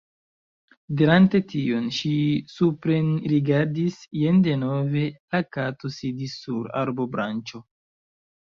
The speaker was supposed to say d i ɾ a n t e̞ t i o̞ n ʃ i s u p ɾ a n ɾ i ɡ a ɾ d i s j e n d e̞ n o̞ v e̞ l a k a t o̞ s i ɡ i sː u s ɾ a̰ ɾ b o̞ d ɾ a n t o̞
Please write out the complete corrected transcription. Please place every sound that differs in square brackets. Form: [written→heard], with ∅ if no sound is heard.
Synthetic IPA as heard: d i ɾ a n t e̞ t i o̞ n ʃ i s u p ɾ [a→e] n ɾ i ɡ a ɾ d i s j e n d e̞ n o̞ v e̞ l a k a t o̞ s i [ɡ→d] i sː u [s→∅] ɾ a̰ ɾ b o̞ [d→b] ɾ a n [t→t͡ʃ] o̞